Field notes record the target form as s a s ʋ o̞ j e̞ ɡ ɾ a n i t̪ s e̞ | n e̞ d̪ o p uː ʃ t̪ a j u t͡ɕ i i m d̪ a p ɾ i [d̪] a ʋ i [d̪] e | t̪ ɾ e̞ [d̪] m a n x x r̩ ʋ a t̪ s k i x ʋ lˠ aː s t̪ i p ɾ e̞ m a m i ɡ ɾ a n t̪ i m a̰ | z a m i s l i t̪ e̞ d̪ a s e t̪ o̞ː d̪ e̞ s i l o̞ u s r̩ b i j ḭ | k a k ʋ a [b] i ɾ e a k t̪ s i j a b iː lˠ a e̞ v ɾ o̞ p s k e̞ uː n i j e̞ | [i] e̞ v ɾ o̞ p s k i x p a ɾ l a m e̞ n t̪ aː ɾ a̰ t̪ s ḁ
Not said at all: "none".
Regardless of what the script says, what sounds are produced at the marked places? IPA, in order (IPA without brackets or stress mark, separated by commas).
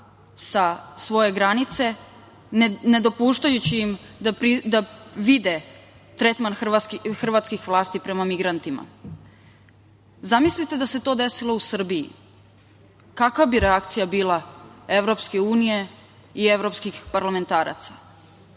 d̪, d̪, t̪, b, i